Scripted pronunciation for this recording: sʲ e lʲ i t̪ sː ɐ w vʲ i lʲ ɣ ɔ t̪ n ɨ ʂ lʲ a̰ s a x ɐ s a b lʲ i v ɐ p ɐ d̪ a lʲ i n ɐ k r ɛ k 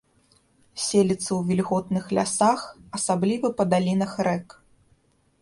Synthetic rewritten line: sʲ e lʲ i t̪ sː ɐ w vʲ i lʲ ɣ ɔ t̪ n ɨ x lʲ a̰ s a x ɐ s a b lʲ i v ɐ p ɐ d̪ a lʲ i n ɐ x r ɛ k